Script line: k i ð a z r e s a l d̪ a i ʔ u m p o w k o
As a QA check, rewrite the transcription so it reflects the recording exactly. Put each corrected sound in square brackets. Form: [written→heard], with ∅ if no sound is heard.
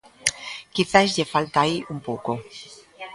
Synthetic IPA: k i [ð→θ] a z [r→ʎ] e [s→f] a l [d̪→t̪] a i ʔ u m p o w k o